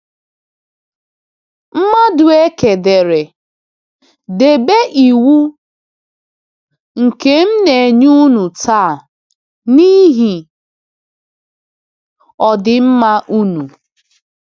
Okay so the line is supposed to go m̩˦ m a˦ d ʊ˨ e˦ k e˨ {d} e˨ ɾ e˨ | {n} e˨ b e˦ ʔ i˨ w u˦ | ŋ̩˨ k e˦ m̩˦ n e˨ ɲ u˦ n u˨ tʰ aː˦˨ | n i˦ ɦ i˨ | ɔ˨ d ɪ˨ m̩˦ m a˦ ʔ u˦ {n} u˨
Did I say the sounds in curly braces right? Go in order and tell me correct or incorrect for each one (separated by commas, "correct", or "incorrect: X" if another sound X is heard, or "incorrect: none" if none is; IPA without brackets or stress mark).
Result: correct, incorrect: d, correct